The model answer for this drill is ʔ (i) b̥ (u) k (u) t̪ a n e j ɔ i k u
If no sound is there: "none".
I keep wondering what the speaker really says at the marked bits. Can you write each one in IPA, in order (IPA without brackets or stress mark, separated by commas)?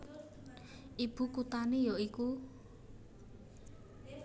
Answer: i, u, u